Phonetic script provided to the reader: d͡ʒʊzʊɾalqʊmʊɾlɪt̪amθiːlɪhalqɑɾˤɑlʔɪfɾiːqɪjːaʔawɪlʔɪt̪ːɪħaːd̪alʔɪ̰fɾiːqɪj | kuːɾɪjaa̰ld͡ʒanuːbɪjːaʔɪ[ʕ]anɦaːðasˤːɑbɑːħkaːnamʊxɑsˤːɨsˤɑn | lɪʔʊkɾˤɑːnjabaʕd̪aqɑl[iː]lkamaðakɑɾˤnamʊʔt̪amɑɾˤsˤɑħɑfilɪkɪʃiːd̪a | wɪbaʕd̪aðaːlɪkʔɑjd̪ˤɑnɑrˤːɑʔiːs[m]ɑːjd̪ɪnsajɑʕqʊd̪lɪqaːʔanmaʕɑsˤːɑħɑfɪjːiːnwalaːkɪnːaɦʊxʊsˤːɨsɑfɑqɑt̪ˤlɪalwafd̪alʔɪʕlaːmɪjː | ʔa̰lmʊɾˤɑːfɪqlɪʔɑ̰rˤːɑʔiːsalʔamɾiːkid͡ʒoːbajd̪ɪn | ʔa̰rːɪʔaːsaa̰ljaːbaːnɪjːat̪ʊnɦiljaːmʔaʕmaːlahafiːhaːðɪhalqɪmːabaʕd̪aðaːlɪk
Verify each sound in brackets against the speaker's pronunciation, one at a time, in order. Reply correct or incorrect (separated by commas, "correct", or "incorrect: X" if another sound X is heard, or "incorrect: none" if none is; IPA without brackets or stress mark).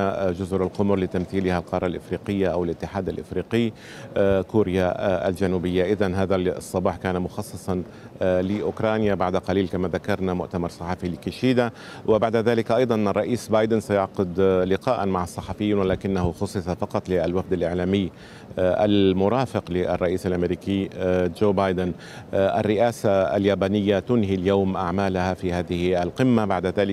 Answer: incorrect: ð, correct, incorrect: b